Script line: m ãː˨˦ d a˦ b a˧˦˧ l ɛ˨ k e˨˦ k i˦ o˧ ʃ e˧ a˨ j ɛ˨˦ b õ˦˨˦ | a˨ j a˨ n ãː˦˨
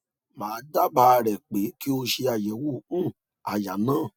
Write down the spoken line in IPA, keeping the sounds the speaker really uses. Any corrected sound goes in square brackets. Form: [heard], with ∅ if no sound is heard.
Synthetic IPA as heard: m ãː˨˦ d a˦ b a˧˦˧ [ɾ] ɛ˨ [k͡p] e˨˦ k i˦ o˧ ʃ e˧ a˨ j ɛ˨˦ [w] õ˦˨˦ | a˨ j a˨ n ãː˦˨